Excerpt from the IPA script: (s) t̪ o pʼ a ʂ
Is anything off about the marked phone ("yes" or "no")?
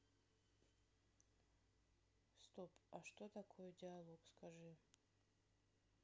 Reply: no